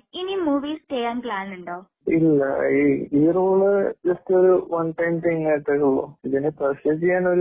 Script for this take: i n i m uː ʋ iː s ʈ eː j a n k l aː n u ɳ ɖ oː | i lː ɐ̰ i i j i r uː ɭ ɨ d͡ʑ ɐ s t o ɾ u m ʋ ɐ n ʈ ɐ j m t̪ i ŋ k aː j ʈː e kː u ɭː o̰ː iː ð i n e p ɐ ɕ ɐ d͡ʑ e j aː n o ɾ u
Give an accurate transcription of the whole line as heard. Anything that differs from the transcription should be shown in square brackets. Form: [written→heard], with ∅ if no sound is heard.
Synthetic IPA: i n i m uː ʋ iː s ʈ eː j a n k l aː n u ɳ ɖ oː | i lː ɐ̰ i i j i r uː ɭ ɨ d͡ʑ ɐ s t o ɾ u [m→∅] ʋ ɐ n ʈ ɐ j m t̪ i ŋ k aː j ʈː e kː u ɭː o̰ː [iː→i] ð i n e p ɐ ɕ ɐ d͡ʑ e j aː n o ɾ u